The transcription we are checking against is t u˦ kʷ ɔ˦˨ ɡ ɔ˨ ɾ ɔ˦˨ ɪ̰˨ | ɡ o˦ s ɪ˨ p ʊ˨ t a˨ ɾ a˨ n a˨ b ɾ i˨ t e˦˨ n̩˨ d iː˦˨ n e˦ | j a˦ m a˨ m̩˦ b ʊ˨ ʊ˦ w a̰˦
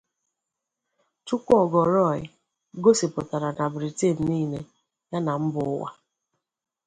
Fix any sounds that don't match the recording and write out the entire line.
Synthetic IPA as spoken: t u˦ kʷ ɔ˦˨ ɡ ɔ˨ ɾ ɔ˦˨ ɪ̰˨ | ɡ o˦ s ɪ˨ p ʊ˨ t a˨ ɾ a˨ n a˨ b ɾ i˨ t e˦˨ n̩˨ n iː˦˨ n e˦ | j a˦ n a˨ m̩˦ b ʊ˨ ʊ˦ w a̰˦